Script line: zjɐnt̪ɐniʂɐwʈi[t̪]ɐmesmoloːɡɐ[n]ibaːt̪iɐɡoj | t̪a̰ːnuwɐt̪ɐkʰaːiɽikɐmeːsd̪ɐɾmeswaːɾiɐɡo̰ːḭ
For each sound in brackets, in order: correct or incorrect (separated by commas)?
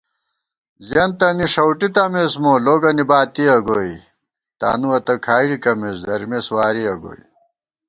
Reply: correct, correct